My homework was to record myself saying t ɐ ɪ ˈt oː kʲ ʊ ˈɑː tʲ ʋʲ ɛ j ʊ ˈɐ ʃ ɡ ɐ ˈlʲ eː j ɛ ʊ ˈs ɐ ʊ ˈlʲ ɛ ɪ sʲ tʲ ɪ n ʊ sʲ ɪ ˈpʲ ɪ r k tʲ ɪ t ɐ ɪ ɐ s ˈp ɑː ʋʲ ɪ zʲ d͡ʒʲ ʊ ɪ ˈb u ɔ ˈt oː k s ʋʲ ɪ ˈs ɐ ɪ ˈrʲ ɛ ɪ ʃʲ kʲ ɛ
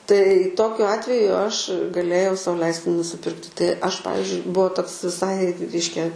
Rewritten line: t ɐ ɪ ˈt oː kʲ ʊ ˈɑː tʲ ʋʲ ɛ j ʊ ˈɐ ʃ ɡ ɐ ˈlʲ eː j ɛ ʊ ˈs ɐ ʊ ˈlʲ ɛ ɪ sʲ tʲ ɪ n ʊ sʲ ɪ ˈpʲ ɪ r k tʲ ɪ t ɐ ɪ ɐ ʃ ˈp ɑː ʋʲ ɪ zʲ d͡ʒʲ ʊ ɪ ˈb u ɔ ˈt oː k s ʋʲ ɪ ˈs ɐ ɪ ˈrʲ ɛ ɪ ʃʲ kʲ ɛ